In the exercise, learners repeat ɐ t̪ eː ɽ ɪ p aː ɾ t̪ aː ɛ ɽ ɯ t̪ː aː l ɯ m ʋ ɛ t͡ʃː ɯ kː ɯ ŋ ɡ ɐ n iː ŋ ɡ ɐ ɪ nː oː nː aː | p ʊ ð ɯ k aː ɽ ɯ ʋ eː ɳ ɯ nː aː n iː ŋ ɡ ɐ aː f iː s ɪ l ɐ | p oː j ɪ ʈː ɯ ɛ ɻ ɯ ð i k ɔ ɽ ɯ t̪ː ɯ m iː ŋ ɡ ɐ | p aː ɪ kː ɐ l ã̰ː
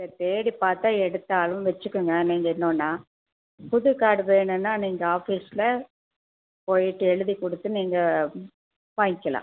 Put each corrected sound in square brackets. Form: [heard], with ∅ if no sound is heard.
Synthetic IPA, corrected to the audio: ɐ t̪ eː ɽ [i] p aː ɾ t̪ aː ɛ ɽ ɯ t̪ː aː l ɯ m ʋ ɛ t͡ʃː ɯ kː ɯ ŋ ɡ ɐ n iː ŋ ɡ ɐ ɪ nː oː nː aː | p ʊ ð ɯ k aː ɽ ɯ ʋ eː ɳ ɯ nː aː n iː ŋ ɡ ɐ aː f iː s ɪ l ɐ | p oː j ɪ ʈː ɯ ɛ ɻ ɯ ð i k ɔ ɽ ɯ t̪ː ɯ [n] iː ŋ ɡ ɐ | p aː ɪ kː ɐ l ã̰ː